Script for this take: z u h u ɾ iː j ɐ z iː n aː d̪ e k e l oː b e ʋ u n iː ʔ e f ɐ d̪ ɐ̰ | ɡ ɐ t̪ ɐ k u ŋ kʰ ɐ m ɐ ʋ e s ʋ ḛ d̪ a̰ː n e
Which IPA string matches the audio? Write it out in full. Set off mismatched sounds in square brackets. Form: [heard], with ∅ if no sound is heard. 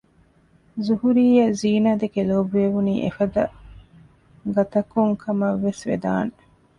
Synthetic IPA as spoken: z u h u ɾ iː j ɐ z iː n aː d̪ e k e l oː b e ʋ u n iː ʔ e f ɐ d̪ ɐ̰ | ɡ ɐ t̪ ɐ k u ŋ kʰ ɐ m ɐ [ʋː] e s ʋ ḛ d̪ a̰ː n e